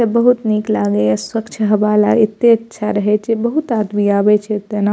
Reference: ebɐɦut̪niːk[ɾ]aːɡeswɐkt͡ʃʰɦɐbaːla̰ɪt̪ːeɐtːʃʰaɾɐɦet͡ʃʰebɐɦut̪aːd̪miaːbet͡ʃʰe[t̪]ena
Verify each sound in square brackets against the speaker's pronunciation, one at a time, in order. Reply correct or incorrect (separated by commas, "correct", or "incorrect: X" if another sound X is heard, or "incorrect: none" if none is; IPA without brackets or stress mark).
incorrect: l, correct